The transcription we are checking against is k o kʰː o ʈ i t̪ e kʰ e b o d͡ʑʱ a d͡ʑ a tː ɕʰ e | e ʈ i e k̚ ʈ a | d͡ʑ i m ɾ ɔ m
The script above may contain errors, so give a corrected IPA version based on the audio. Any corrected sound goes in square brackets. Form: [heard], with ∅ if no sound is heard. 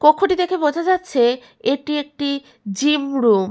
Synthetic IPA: k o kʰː o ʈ i [d̪] e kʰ e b o d͡ʑʱ a d͡ʑ a tː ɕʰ e | e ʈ i e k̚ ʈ [i] | d͡ʑ i m ɾ [u] m